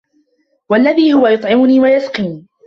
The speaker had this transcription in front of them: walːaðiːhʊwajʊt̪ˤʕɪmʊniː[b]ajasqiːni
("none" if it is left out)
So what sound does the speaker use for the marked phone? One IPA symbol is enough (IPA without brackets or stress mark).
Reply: w